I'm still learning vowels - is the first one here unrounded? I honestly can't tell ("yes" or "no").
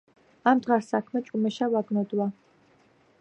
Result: yes